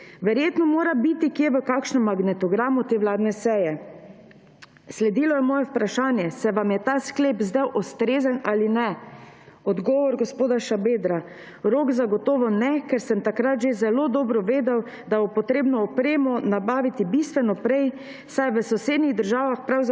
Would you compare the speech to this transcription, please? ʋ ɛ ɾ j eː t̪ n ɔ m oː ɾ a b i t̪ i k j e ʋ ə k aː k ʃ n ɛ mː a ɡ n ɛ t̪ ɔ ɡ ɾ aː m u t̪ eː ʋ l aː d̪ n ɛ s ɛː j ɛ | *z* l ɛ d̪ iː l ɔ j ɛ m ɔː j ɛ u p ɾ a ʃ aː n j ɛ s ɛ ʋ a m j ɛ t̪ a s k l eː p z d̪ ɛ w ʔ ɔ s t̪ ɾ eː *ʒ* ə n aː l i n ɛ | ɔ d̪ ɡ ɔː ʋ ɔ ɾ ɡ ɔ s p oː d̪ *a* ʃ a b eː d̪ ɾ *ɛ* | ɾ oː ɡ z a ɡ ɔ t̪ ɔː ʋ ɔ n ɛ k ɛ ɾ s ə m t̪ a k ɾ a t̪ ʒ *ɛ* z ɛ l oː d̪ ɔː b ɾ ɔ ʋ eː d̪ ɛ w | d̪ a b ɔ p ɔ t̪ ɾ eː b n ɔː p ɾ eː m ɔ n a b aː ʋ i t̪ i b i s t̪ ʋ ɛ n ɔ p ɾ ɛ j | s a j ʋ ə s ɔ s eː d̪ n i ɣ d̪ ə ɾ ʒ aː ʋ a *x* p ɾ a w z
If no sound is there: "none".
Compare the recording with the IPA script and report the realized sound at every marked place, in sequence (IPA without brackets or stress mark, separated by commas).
s, z, a, a, e, x